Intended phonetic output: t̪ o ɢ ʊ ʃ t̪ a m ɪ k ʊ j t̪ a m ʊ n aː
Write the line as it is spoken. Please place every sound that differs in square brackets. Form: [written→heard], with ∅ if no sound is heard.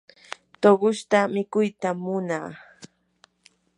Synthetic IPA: t̪ o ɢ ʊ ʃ t̪ a m ɪ k ʊ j t̪ a m ʊ n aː